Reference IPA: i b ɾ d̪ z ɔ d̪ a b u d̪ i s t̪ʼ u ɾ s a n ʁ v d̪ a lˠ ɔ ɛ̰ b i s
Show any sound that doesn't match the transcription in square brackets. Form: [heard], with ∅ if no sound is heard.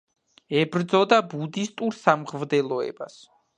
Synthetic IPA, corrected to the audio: [ɛ] b ɾ d̪ z ɔ d̪ a b u d̪ i s t̪ʼ u ɾ s a [m] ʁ v d̪ [ɛ] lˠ ɔ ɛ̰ b [a] s